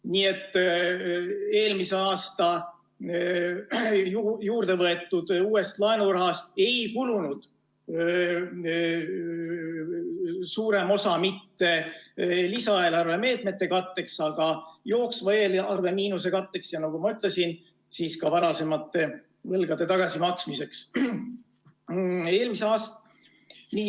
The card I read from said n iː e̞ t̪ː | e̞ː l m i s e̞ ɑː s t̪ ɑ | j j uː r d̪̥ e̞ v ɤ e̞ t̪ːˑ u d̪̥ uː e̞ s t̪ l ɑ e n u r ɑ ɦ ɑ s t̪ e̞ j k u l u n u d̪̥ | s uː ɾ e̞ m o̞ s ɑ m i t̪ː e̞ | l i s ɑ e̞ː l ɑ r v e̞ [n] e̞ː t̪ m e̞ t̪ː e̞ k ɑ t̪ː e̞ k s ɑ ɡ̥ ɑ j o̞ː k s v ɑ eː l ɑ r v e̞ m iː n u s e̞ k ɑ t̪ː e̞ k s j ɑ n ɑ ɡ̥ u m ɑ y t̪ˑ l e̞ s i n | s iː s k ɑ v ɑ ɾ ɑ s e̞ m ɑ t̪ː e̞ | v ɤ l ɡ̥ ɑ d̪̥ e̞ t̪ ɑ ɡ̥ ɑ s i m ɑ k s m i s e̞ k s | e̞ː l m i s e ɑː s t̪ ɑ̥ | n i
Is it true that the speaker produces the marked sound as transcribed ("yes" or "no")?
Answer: no